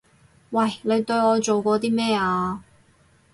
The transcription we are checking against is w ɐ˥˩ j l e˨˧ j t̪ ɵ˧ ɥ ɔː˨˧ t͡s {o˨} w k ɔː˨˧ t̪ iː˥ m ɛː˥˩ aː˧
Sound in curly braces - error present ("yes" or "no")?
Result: no